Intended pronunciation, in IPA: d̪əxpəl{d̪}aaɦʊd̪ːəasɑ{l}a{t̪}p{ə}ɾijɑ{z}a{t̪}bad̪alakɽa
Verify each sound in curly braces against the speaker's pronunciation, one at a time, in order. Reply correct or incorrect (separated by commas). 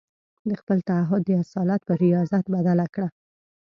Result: incorrect, correct, correct, correct, correct, correct